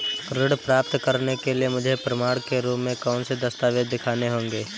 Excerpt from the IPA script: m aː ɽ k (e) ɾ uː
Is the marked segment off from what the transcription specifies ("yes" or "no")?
no